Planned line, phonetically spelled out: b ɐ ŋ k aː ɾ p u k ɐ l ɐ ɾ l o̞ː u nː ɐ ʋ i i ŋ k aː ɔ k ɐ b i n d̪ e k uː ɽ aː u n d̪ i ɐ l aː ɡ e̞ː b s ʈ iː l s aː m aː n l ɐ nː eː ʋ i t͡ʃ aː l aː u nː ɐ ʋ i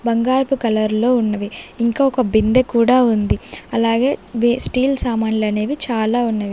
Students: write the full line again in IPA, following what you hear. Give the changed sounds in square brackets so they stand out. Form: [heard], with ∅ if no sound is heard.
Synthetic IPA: b ɐ ŋ [ɡ] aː ɾ p u k ɐ l ɐ ɾ l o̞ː u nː ɐ ʋ i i ŋ k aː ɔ k ɐ b i n d̪ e k uː ɽ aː u n d̪ i ɐ l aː ɡ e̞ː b s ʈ iː l s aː m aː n l ɐ [n] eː ʋ i t͡ʃ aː l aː u nː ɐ ʋ i